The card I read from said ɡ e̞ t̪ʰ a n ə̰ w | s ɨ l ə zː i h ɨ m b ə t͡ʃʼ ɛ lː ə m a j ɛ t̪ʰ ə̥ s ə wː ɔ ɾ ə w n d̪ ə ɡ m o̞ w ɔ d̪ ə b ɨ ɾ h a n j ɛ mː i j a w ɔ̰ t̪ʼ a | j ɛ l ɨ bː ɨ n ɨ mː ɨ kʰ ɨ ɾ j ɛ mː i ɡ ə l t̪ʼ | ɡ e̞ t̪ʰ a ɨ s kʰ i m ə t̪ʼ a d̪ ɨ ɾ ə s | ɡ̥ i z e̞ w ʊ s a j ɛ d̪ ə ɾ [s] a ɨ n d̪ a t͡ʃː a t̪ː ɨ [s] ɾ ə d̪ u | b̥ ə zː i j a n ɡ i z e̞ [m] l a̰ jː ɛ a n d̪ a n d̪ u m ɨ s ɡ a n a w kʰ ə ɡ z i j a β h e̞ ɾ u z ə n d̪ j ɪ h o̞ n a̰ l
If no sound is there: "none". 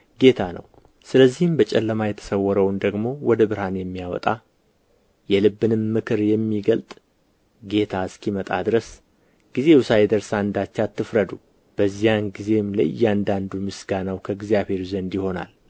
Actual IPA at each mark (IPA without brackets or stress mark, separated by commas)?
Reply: s, f, m